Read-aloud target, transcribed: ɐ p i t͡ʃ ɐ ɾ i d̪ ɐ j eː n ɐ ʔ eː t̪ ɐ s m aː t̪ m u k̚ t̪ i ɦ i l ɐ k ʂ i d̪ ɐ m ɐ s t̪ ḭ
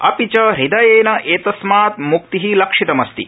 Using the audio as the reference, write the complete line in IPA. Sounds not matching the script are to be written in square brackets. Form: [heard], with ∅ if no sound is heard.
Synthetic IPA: ɐ p i t͡ʃ ɐ ɾ i d̪ ɐ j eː n ɐ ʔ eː t̪ ɐ s m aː t̪ m u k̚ t̪ i ɦ i l ɐ k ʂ i [t̪] ɐ m ɐ s t̪ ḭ